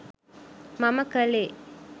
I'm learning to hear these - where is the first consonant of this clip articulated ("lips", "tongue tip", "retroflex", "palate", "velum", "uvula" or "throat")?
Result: lips